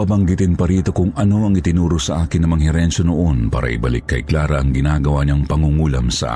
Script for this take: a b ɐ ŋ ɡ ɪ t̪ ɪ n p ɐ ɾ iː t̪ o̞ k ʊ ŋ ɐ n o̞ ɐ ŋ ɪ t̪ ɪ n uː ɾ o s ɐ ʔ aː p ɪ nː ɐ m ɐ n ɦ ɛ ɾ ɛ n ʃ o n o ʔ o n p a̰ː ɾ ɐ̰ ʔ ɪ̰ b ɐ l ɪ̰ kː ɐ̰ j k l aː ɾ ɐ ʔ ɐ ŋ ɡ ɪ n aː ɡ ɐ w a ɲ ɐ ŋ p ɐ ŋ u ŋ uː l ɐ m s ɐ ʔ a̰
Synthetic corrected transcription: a b ɐ ŋ ɡ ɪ t̪ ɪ n p ɐ ɾ iː t̪ o̞ k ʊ ŋ ɐ n o̞ ɐ ŋ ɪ t̪ ɪ n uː ɾ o s ɐ ʔ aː k ɪ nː ɐ m ɐ ŋ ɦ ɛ ɾ ɛ n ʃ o n o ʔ o n p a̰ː ɾ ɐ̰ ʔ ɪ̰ b ɐ l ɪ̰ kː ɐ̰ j k l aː ɾ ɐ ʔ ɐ ŋ ɡ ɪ n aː ɡ ɐ w a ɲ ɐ ŋ p ɐ ŋ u ŋ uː l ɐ m s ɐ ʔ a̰